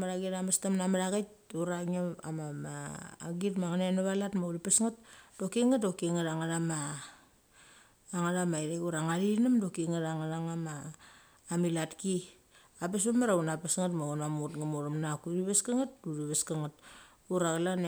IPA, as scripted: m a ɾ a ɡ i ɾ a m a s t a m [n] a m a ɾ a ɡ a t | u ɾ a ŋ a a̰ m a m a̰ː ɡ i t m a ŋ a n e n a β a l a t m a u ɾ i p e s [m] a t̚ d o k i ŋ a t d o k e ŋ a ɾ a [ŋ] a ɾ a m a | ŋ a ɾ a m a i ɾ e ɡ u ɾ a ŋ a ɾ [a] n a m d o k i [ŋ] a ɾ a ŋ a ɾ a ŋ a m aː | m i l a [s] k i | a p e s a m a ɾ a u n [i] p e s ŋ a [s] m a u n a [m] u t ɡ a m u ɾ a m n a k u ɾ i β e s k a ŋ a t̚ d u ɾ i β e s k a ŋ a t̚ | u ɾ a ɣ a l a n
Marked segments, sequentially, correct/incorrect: correct, incorrect: ŋ, correct, incorrect: i, correct, incorrect: t, incorrect: a, incorrect: t, correct

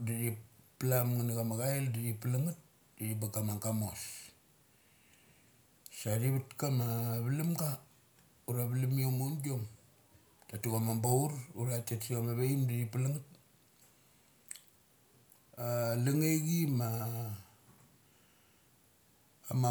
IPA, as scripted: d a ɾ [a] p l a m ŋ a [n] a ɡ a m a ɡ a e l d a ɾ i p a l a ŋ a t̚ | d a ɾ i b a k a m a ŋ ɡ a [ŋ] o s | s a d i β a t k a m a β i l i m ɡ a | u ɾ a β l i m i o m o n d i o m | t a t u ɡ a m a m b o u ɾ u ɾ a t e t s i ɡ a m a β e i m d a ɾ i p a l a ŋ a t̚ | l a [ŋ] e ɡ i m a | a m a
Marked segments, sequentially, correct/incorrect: incorrect: i, correct, incorrect: m, correct

